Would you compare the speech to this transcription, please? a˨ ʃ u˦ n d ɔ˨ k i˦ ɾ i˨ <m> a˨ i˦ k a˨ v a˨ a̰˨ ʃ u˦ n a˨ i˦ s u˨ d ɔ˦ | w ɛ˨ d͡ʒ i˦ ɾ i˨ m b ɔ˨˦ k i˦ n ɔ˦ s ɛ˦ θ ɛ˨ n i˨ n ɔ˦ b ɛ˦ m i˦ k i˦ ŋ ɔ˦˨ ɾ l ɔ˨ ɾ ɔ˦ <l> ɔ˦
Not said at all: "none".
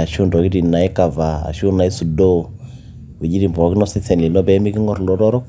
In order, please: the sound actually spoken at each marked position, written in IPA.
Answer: n, ɾ

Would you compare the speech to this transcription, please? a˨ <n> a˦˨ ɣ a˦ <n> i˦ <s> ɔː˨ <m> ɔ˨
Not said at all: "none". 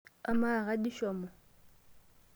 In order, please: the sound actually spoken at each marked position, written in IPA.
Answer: m, d, ʃ, m

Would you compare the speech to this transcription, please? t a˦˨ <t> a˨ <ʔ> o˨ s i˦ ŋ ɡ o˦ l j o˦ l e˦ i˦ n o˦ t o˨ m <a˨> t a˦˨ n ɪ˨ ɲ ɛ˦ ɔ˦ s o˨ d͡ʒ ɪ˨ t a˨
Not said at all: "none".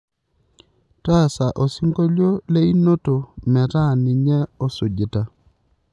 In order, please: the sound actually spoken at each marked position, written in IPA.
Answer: s, ʔ, ɛ˨

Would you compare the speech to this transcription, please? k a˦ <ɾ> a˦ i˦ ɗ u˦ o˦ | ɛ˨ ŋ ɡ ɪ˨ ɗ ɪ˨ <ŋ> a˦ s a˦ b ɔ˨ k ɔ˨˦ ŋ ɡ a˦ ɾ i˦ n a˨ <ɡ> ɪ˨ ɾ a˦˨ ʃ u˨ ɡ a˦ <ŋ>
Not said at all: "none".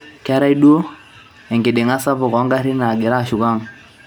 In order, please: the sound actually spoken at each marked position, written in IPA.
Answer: ɾ, ŋ, ɡ, ŋ

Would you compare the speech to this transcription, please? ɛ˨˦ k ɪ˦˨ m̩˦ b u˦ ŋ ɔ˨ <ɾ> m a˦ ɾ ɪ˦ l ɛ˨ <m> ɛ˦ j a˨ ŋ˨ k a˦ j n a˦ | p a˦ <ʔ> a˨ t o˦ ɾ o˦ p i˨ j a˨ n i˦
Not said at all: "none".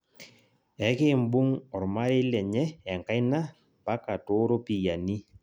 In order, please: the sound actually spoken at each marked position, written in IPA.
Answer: ɾ, ɲ, k

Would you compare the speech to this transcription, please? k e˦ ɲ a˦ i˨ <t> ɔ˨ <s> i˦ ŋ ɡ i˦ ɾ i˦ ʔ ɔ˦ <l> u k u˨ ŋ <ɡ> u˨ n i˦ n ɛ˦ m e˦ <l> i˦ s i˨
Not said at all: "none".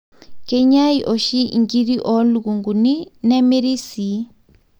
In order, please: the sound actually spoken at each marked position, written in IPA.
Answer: ʔ, ʃ, l, ɡ, ɾ

